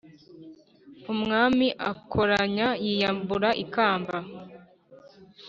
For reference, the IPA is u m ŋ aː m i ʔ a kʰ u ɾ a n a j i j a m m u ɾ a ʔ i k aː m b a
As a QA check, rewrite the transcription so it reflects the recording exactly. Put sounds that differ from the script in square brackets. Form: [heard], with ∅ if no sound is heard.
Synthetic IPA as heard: u m ŋ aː m i ʔ a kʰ [o] ɾ a [ɲ] a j i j a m [b] u ɾ a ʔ i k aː m b a